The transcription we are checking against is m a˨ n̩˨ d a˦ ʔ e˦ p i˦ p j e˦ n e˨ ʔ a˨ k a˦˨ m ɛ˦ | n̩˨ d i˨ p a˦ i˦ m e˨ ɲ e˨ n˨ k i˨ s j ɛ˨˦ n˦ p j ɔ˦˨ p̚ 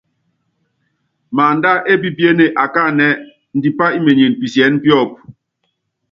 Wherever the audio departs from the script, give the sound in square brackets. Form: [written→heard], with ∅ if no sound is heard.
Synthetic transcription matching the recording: m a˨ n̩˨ d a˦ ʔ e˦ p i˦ p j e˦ n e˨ ʔ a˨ k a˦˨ [m→n] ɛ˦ | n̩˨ d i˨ p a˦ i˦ m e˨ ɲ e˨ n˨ [k→p] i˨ s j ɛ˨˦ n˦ p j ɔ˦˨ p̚